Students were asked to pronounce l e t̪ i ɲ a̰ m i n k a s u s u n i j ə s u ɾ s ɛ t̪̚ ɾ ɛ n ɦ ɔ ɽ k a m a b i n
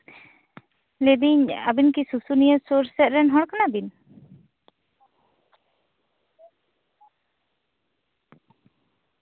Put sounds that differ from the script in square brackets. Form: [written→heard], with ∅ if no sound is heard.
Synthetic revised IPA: l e [t̪→d̪] i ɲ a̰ [m→b] i n k [a→i] s u s u n i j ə s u ɾ s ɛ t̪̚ ɾ ɛ n ɦ ɔ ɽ k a [m→n] a b i n